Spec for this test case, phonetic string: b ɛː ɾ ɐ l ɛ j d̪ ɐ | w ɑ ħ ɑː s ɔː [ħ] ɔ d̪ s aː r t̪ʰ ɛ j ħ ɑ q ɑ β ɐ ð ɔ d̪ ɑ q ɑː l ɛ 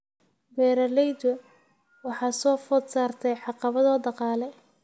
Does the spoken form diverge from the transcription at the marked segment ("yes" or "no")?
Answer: yes